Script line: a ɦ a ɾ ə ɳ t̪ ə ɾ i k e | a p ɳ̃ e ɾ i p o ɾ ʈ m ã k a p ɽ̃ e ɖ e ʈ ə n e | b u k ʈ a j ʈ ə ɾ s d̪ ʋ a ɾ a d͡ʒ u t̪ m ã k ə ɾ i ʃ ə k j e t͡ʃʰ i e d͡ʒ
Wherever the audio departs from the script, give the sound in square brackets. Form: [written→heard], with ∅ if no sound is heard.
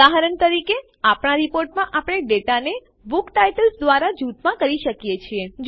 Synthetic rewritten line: a ɦ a ɾ ə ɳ t̪ ə ɾ i k e | a p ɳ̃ [e→a] ɾ i p o ɾ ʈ m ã [k→ʔ] a p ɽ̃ e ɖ e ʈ [ə→a] n e | b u k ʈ a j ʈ ə [ɾ→l] s d̪ ʋ a ɾ a d͡ʒ u t̪ m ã k ə ɾ i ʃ ə k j e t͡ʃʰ i e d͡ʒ